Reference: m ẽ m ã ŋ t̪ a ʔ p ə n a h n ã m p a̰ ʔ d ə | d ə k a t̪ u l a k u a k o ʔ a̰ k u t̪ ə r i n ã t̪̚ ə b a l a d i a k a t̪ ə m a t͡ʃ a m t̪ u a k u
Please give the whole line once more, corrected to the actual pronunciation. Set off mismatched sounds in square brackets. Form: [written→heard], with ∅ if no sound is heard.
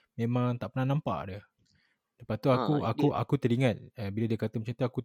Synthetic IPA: m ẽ m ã ŋ t̪ a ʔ p ə n a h n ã m p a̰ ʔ d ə | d ə [k→p] a t̪ u [l→∅] a k u a k [o→u] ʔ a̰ k u t̪ ə [r→ɾ] i [n→ŋ] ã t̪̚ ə b [a→i] l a d i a k a t̪ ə m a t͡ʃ a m t̪ u a k u